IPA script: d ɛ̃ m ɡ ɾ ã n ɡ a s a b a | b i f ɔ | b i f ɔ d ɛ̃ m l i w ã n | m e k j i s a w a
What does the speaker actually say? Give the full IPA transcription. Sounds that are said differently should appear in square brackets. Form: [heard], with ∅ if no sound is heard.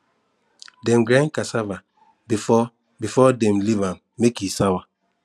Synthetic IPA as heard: d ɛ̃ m ɡ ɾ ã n [k] a s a [v] a | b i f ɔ | b i f ɔ d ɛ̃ m l i [v] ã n | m e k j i s a w a